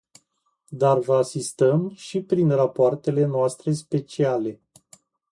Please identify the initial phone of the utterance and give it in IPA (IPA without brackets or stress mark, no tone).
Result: d̪